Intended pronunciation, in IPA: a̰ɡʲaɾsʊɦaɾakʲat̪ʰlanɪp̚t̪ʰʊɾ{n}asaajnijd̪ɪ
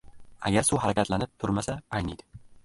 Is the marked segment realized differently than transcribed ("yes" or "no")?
yes